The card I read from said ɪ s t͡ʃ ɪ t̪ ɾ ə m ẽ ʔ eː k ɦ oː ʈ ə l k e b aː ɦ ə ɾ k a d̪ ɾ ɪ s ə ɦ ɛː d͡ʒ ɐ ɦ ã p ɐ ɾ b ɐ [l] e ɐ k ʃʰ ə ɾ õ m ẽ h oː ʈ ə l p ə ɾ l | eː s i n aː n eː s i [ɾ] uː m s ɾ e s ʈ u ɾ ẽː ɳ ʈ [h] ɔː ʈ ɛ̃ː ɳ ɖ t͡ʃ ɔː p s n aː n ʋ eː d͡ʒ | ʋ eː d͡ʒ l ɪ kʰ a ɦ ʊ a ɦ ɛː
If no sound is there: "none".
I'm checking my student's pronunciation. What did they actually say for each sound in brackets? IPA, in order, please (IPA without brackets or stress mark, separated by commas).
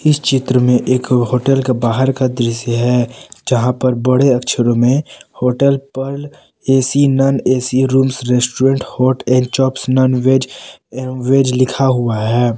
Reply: ɽ, ɾ, h